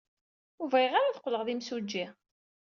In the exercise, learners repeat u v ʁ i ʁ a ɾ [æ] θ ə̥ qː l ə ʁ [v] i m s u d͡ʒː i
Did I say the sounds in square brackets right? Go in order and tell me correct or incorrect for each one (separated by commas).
incorrect, incorrect